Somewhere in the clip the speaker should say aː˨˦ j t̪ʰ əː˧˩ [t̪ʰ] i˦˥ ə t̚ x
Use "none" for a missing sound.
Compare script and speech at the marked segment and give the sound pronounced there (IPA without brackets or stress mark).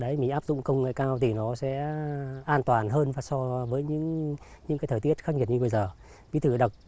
t̪